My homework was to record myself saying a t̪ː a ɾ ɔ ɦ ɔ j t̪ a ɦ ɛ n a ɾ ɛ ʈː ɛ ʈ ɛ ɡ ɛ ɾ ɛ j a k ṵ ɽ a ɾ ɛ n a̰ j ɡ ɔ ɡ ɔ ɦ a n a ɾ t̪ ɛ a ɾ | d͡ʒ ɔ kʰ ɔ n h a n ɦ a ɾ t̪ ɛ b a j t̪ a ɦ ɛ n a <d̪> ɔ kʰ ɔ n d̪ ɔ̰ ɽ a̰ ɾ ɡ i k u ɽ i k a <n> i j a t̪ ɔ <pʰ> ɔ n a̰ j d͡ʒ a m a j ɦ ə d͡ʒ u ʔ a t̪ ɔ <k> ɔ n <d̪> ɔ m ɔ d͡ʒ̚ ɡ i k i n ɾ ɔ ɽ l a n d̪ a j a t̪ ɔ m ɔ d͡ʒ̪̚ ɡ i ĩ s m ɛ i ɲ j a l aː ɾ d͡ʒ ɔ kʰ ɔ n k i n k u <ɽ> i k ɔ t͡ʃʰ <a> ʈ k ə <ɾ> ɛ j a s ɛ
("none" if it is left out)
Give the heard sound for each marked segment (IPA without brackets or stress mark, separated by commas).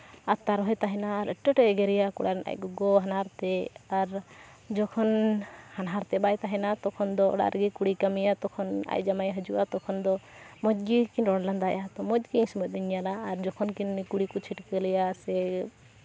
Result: t̪, m, kʰ, kʰ, d̪, ɽ, i, l